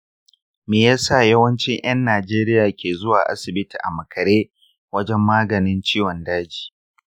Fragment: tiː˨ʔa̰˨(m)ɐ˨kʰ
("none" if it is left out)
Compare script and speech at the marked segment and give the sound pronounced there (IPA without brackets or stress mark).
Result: m